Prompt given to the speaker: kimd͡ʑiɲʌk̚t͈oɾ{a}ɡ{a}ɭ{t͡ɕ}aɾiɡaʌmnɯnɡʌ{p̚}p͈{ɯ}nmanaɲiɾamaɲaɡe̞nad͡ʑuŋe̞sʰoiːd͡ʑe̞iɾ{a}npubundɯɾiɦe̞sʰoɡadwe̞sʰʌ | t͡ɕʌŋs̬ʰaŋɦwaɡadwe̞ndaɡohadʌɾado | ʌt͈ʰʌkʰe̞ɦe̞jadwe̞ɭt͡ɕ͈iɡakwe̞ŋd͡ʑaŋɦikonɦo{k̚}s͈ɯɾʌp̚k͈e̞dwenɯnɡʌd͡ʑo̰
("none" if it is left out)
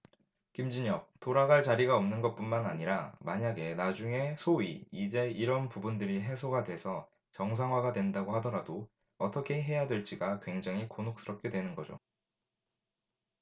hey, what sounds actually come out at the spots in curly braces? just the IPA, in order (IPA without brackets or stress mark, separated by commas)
a, a, t͡ɕ, t̚, u, ʌ, k̚